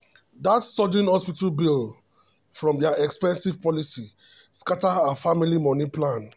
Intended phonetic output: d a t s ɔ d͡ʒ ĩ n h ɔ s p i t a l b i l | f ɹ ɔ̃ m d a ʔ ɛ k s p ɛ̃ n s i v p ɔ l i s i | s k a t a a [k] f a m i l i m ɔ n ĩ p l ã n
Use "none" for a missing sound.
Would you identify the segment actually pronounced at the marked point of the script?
none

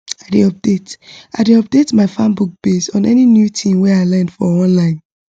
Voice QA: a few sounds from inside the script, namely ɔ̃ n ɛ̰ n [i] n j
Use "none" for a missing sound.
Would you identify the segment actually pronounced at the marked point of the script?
i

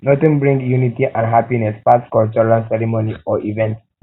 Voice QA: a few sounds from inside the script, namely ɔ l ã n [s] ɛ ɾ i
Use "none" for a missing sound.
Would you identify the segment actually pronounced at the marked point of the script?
s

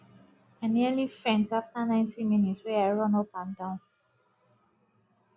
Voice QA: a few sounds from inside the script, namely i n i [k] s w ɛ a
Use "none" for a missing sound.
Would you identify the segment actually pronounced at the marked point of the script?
t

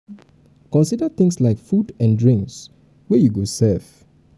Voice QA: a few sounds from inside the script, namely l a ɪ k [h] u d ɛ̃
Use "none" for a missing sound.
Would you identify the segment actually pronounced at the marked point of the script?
f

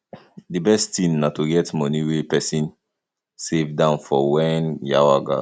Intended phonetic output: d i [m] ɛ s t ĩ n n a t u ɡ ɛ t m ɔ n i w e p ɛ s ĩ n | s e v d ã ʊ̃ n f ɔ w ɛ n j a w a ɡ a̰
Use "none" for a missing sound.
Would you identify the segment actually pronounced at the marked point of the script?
b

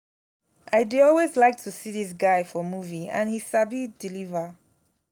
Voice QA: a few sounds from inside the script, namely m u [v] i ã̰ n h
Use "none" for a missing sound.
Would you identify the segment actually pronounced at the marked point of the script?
v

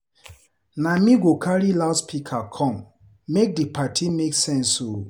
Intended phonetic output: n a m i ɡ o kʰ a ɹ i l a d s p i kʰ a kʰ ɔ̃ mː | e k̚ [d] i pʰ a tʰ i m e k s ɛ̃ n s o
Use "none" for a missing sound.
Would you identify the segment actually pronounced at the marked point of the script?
d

